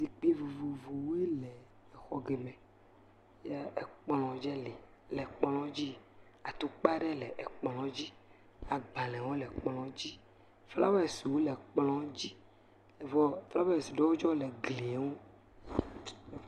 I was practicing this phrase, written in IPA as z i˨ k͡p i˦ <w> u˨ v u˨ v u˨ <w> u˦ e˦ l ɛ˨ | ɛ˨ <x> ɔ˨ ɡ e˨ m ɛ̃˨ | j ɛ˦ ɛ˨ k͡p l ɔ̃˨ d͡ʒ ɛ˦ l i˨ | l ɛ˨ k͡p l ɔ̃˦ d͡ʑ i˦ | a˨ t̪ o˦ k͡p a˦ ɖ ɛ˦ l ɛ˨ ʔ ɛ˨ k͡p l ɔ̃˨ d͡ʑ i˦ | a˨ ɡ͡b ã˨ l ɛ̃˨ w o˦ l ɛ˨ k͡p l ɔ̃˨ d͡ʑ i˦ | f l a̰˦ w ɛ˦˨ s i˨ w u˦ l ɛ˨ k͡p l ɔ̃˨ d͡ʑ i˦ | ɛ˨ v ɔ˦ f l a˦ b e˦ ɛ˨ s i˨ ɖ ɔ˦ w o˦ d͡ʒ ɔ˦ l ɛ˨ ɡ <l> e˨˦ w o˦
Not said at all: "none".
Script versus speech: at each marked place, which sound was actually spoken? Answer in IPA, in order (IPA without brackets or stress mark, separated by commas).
v, w, x, l